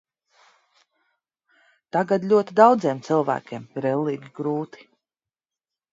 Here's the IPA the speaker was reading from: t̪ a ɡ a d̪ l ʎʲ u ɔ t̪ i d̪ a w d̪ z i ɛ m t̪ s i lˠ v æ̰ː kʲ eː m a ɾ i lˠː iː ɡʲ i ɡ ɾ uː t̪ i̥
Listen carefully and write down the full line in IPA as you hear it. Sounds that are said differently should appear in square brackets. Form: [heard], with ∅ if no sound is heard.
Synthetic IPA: t̪ a ɡ a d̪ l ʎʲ u ɔ t̪ i d̪ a w d̪ z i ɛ m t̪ s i lˠ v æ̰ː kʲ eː m [i] ɾ [ɛ] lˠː iː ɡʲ i ɡ ɾ uː t̪ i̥